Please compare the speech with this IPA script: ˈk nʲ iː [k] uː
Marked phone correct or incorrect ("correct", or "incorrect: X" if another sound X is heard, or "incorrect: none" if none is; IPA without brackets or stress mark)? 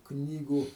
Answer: incorrect: ɡ